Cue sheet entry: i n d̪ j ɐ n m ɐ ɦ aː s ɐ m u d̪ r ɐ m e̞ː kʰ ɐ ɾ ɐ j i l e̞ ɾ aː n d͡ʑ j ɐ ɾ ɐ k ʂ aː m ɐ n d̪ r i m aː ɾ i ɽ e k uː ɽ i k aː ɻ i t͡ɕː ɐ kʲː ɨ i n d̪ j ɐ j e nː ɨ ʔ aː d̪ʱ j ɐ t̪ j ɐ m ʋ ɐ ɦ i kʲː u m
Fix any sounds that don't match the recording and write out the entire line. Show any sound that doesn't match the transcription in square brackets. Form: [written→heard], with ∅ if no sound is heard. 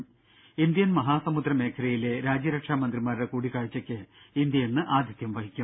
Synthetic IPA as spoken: i n d̪ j ɐ n m ɐ ɦ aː s ɐ m u d̪ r ɐ m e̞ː kʰ ɐ ɾ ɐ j i l e̞ ɾ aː [n→∅] d͡ʑ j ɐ ɾ ɐ k ʂ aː m ɐ n d̪ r i m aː ɾ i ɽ e k uː ɽ i k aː ɻ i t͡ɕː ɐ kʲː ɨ i n d̪ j ɐ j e nː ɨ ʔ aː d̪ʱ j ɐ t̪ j ɐ m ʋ ɐ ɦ i kʲː u m